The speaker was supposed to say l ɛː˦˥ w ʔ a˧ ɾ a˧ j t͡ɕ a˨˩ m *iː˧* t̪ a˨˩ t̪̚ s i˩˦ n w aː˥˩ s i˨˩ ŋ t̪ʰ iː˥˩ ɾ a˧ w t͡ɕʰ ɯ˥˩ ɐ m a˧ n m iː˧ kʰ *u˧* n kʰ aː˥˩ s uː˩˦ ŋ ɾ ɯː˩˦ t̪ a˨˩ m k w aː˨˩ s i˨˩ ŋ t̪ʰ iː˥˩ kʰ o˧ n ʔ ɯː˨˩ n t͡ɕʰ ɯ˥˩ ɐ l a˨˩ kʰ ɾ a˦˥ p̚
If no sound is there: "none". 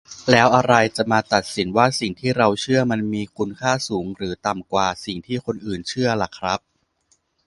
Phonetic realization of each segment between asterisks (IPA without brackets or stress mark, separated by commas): aː˧, u˧